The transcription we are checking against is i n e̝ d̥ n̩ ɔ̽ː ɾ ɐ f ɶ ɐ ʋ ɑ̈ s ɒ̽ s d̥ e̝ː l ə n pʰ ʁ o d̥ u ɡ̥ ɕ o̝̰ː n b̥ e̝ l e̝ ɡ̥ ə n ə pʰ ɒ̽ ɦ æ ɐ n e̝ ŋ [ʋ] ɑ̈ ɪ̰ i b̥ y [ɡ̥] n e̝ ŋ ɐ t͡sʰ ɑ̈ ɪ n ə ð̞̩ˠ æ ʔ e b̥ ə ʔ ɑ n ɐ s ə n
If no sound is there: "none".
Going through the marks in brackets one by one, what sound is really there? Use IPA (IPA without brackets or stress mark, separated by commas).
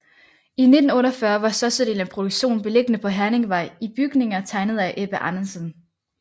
ʋ, ɡ̥